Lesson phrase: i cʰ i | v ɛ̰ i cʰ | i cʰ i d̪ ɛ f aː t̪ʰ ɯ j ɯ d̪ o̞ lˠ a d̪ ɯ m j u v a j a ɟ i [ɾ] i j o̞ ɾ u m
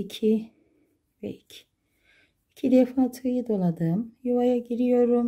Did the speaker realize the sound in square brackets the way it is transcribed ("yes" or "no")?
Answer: yes